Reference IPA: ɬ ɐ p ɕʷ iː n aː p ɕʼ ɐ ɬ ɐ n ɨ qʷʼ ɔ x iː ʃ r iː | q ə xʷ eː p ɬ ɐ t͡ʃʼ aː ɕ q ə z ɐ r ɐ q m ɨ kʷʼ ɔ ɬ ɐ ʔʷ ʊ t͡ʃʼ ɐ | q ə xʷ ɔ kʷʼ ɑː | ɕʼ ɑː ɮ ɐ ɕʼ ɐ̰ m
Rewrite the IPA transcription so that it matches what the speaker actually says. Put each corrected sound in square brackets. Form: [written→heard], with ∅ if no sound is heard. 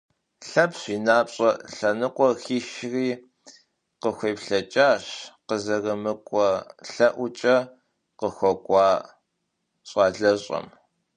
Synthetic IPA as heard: ɬ ɐ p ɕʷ iː n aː p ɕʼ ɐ ɬ ɐ n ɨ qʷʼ ɔ x iː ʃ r iː | q ə xʷ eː p ɬ ɐ t͡ʃʼ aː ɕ q ə z ɐ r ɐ [q→∅] m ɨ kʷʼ ɔ ɬ ɐ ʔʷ ʊ t͡ʃʼ ɐ | q ə xʷ ɔ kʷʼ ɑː | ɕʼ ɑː ɮ ɐ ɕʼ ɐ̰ m